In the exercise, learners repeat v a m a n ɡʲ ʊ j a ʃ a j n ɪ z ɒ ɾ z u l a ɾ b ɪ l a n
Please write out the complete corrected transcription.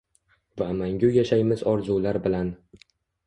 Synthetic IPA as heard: v a m a ŋ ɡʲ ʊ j a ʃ a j m ɪ z ɒ ɾ z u l a ɾ b ɪ l a n